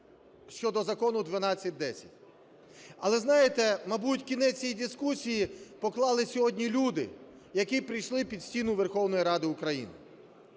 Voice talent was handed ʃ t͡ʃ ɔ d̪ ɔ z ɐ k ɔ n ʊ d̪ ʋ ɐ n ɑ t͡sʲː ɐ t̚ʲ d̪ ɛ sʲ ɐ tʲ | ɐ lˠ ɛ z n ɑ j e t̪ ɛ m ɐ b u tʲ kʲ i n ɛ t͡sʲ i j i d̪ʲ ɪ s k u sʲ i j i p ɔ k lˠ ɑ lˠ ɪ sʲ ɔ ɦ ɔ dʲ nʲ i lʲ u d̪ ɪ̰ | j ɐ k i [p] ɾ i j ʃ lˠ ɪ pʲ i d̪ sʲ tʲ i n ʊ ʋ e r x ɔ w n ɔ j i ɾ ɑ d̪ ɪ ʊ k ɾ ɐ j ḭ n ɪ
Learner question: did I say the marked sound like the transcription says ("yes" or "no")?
yes